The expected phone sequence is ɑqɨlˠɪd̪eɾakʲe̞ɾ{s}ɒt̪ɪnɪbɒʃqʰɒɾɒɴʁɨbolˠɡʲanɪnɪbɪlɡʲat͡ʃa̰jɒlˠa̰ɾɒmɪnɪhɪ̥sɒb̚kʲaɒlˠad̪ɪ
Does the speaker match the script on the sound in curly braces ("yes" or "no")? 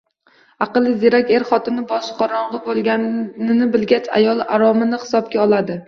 no